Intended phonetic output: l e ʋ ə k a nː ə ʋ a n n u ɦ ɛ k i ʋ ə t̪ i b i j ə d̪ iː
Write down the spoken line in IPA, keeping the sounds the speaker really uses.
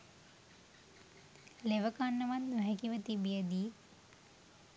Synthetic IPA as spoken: l e ʋ ə k a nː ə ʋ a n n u ɦ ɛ k i ʋ ə t̪ i b i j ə d̪ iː